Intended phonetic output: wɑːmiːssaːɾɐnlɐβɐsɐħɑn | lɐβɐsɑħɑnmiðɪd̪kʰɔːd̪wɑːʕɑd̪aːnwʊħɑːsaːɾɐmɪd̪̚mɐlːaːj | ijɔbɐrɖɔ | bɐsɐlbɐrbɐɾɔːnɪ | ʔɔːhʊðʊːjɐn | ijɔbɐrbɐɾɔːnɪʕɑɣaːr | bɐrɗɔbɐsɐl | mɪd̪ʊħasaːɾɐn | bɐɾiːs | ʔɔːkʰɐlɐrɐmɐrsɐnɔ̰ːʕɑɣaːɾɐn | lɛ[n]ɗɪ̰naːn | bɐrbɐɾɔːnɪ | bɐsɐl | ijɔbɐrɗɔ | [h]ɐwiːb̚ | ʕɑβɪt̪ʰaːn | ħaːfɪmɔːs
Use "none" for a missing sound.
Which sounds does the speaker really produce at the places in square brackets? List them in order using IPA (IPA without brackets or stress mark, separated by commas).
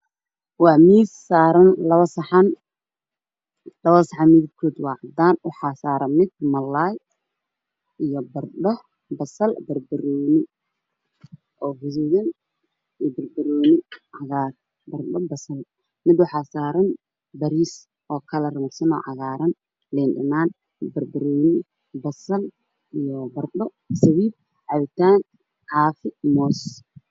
n, s